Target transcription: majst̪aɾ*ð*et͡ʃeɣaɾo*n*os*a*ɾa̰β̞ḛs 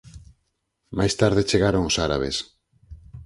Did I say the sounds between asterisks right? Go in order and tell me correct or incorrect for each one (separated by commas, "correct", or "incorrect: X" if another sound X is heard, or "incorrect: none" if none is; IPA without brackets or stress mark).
correct, incorrect: ŋ, correct